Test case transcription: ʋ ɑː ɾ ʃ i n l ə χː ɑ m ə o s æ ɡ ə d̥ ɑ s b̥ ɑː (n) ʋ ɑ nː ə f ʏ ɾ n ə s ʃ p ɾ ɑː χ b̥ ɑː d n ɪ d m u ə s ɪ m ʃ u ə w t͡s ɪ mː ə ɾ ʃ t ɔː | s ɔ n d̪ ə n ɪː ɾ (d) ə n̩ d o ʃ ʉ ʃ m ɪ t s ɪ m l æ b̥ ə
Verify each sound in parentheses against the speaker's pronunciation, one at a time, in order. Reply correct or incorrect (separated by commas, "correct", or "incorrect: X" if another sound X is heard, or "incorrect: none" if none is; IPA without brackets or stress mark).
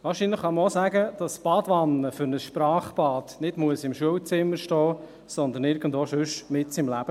incorrect: d, incorrect: ɡ